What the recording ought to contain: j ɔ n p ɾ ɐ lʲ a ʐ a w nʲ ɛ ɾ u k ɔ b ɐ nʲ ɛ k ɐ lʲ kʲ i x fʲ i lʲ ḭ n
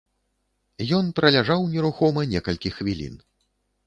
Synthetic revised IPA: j ɔ n p ɾ ɐ lʲ a ʐ a w nʲ ɛ ɾ u x ɔ m ɐ nʲ ɛ k ɐ lʲ kʲ i x vʲ i lʲ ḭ n